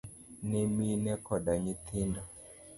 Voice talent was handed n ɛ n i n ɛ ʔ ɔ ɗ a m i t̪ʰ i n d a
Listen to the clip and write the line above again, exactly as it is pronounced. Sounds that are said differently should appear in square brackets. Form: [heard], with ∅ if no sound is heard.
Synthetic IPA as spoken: n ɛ [m] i n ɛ [k] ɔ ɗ a [ɲ] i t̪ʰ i n d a